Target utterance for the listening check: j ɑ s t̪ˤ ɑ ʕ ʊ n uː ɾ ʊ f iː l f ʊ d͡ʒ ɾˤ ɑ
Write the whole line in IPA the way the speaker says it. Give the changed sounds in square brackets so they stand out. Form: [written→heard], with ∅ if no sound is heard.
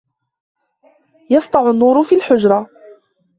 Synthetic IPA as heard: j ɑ s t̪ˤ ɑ ʕ ʊ [n→nː] uː ɾ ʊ f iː l [f→ħ] ʊ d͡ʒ ɾˤ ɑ